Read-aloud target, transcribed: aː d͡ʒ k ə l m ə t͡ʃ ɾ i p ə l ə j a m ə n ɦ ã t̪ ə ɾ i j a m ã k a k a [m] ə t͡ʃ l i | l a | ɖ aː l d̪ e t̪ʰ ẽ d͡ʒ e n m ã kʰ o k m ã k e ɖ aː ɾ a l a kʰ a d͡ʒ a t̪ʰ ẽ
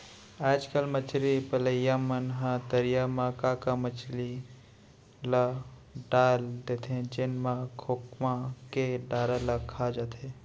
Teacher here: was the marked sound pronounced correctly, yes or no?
yes